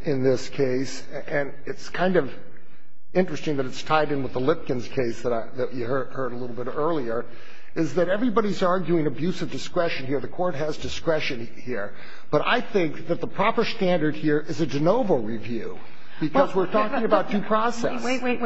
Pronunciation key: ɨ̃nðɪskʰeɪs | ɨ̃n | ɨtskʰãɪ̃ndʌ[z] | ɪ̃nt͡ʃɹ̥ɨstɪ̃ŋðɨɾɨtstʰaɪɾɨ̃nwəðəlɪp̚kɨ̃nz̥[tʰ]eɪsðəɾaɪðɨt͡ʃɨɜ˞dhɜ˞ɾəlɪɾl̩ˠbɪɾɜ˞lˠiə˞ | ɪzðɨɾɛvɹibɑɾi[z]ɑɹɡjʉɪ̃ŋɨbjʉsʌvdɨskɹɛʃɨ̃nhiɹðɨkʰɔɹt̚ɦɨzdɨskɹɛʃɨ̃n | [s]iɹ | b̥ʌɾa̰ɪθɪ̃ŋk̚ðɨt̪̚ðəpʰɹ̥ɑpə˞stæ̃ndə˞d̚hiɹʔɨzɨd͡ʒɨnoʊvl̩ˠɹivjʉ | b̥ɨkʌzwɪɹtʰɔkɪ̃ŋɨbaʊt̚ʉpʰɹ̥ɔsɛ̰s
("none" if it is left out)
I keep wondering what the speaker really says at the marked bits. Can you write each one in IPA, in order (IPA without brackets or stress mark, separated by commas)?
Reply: v, kʰ, z, h